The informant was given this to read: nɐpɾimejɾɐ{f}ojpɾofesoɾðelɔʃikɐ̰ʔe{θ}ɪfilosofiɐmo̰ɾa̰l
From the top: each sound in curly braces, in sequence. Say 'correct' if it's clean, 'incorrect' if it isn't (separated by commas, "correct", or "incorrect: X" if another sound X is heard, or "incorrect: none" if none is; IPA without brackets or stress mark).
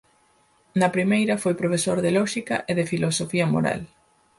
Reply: correct, incorrect: ð